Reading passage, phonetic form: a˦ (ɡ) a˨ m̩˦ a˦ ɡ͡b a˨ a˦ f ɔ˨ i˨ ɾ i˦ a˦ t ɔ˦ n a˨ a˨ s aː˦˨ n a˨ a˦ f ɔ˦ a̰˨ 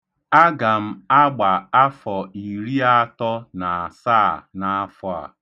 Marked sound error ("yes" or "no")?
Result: no